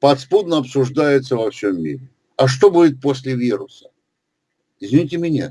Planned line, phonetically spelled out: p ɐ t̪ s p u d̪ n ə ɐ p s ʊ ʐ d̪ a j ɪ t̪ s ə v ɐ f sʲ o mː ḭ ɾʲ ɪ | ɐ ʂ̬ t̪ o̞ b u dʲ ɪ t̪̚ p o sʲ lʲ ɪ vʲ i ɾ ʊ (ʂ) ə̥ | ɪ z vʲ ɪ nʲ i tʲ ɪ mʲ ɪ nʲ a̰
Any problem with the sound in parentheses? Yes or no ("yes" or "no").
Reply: yes